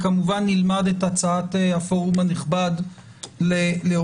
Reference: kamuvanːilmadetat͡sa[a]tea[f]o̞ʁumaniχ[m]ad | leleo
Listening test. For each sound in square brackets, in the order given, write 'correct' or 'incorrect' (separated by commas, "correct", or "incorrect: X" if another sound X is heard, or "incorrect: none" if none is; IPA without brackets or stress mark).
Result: correct, correct, incorrect: b